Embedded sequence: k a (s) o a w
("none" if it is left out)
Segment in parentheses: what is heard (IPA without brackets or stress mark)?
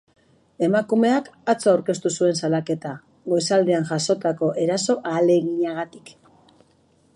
t͡s